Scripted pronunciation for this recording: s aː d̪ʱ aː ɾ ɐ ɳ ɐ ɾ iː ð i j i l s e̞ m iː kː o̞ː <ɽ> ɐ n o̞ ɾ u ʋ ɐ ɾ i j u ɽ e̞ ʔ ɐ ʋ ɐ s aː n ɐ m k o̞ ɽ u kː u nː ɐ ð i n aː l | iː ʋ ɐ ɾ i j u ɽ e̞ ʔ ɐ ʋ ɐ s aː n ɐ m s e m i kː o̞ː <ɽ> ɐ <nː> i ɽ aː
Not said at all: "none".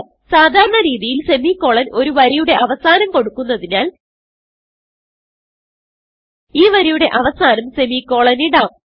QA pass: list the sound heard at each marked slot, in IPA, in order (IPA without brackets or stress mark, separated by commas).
ɭ, ɭ, n